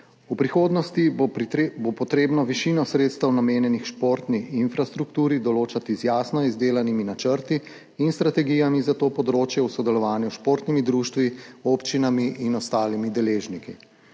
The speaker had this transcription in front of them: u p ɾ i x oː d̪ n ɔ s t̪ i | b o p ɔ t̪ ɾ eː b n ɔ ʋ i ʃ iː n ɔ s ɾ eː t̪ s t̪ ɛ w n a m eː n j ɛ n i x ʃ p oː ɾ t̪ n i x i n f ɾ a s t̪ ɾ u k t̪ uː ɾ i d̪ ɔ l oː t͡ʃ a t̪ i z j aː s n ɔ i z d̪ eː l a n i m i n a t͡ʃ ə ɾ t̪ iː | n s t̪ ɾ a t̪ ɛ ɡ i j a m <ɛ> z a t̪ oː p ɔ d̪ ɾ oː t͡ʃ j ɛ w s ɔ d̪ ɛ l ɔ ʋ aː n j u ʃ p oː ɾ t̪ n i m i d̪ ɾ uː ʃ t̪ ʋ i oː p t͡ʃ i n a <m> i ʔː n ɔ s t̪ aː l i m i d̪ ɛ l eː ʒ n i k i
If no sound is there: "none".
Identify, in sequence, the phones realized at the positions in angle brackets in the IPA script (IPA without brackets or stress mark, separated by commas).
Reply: i, m